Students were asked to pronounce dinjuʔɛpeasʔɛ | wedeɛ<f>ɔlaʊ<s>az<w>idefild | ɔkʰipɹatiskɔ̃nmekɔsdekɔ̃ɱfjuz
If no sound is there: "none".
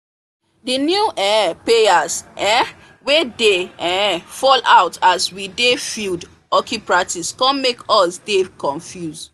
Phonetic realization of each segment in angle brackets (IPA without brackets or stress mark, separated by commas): f, t, w